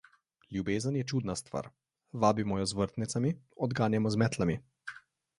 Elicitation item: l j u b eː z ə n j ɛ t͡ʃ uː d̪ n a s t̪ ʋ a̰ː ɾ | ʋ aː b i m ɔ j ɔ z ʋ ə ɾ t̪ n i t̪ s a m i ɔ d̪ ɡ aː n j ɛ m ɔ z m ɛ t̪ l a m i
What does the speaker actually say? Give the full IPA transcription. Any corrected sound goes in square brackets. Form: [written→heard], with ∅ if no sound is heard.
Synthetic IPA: l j u b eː z ə n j ɛ t͡ʃ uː d̪ n a s t̪ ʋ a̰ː ɾ | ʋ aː b i m ɔ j ɔ z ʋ ə ɾ t̪ n i t̪ s a m i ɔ d̪ ɡ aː n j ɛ m ɔ z m ɛ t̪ l a m i

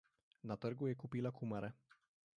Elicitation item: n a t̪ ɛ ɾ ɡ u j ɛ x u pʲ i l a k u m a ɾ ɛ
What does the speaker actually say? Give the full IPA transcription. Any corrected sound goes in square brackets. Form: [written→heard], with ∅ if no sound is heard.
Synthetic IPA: n a t̪ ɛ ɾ ɡ u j ɛ [x→k] u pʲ i l a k u m a ɾ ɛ

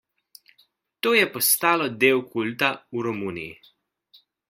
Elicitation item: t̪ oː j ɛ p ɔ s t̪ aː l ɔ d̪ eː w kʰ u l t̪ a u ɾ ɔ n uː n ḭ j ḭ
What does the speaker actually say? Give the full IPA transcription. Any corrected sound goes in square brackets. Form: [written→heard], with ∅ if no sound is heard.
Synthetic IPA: t̪ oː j ɛ p ɔ s t̪ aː l ɔ d̪ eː w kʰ u l t̪ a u ɾ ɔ [n→m] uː n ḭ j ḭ

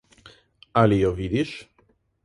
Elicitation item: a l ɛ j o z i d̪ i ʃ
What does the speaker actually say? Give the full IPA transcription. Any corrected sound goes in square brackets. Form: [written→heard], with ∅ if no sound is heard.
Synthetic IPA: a l [ɛ→i] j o [z→v] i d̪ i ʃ

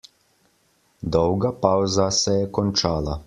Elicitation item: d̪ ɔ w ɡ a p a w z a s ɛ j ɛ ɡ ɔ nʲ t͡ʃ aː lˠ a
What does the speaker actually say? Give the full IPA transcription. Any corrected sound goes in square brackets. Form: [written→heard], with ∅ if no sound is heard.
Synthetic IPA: d̪ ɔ w ɡ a p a w z a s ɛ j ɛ [ɡ→k] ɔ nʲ t͡ʃ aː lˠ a

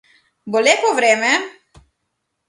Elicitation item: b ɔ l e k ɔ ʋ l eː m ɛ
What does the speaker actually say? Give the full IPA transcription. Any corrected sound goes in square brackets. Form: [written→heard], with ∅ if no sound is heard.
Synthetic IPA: b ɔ l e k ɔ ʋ [l→ɾ] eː m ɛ

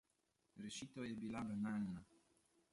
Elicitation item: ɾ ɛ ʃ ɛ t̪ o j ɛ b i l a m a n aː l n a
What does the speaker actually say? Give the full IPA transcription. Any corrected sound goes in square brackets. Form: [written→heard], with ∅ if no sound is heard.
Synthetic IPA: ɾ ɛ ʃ [ɛ→i] t̪ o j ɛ b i l a [m→b] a n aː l n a

